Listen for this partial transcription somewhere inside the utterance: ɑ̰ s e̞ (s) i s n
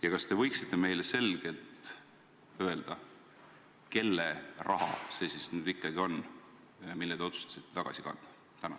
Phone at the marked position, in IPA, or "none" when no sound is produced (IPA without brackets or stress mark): s